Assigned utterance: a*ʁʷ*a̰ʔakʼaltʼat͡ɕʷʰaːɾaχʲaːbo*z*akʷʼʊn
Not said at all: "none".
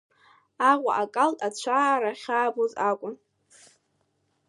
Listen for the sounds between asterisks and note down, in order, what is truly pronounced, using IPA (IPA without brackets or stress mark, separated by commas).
ʁʷ, z